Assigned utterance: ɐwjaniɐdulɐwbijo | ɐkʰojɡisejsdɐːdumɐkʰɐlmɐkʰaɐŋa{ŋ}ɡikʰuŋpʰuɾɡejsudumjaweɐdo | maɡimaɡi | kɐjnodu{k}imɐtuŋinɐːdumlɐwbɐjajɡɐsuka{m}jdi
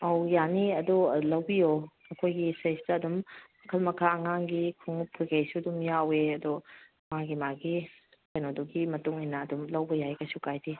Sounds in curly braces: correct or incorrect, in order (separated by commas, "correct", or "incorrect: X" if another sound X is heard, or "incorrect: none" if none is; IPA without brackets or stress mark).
correct, incorrect: ɡ, incorrect: none